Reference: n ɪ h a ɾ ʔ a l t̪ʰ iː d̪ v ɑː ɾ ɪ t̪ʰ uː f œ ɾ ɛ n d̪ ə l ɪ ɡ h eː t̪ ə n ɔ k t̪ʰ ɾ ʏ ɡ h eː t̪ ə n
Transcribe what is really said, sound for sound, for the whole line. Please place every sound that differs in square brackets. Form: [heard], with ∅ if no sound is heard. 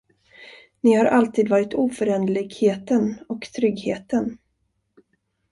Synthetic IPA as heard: n ɪ h a ɾ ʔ a l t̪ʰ iː d̪ v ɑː ɾ ɪ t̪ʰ uː f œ ɾ ɛ n d̪ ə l ɪ ɡ h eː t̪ ə n ɔ k t̪ʰ ɾ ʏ ɡ h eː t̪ ə n